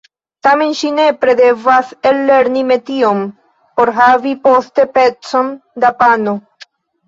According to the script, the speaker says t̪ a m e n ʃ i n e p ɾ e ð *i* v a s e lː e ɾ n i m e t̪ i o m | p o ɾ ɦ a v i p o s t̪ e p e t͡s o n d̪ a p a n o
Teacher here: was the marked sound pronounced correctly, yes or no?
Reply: no